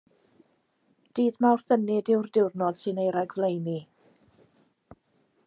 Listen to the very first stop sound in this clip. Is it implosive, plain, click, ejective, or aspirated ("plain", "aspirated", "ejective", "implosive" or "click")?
plain